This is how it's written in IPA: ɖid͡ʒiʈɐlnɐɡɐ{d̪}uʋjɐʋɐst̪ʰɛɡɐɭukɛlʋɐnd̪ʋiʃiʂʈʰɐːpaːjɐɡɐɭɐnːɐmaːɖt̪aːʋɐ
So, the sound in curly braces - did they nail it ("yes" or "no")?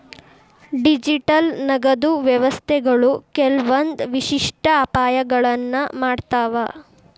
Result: yes